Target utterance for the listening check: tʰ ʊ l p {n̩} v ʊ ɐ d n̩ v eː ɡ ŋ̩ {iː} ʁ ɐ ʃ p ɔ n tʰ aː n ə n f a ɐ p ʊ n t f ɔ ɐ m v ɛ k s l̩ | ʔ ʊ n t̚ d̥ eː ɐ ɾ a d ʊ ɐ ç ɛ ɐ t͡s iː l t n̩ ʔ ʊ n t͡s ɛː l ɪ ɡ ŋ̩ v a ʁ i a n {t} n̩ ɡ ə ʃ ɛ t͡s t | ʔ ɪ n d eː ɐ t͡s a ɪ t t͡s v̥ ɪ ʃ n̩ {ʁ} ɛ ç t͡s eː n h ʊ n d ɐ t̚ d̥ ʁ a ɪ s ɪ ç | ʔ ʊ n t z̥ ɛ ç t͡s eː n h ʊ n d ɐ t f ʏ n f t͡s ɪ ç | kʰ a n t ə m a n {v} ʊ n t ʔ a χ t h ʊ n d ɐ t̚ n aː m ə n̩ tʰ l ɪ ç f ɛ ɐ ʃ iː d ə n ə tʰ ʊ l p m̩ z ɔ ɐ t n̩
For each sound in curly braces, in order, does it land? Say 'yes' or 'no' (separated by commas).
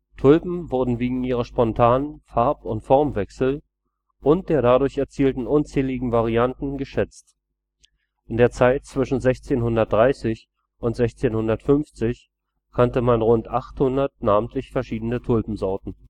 no, yes, yes, no, no